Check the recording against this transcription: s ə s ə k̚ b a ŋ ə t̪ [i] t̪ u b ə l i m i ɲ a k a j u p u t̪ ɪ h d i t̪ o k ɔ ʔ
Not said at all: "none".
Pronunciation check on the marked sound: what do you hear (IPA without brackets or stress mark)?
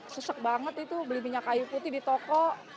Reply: i